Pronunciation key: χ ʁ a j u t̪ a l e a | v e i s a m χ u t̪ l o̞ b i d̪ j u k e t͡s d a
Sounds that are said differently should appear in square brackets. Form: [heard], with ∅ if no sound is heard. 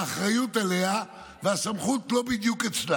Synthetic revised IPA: χ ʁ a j u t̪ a l e a | v e [a] s a m χ u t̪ l o̞ b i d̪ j u k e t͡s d a